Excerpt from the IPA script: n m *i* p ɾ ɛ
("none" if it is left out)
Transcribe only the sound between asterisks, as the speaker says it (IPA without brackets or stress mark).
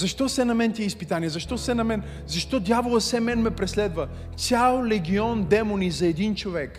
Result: ɛ